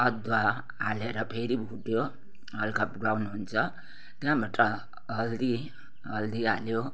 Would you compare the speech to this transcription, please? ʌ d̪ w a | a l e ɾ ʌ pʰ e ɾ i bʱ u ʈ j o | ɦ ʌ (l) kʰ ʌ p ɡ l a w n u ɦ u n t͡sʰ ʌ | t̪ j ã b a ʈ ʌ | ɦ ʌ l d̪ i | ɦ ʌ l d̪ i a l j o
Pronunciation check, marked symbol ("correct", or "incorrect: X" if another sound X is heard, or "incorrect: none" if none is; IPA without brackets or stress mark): correct